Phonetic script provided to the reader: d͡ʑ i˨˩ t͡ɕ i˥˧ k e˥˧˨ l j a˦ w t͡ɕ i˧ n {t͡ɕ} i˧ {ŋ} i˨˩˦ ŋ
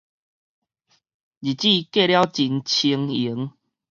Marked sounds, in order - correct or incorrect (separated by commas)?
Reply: incorrect, correct